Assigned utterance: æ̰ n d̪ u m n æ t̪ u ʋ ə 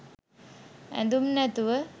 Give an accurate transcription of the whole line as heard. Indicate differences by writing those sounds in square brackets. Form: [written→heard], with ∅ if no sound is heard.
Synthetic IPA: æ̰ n d̪ u m n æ t̪ u ʋ ə